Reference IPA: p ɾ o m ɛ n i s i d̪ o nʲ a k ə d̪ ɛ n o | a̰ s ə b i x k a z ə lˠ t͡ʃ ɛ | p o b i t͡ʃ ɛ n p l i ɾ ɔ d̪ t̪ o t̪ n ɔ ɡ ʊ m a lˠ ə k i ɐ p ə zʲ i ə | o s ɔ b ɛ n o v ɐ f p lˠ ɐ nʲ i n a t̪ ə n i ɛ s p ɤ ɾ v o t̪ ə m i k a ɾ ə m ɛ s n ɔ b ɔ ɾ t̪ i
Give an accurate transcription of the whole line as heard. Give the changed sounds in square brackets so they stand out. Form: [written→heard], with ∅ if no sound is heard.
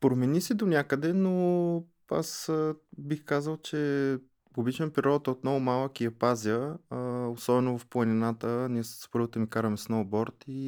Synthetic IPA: p ɾ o m ɛ n i s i d̪ o nʲ a k ə d̪ ɛ n o | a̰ s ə b i x k a z ə lˠ t͡ʃ ɛ | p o b i t͡ʃ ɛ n p [l→ɾ] i ɾ ɔ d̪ t̪ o t̪ n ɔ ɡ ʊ m a lˠ ə k i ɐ p [ə→a] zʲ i ə | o s ɔ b ɛ n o v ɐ f p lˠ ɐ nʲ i n a t̪ ə n i ɛ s p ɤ ɾ v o t̪ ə m i k a ɾ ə m ɛ s n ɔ b ɔ ɾ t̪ i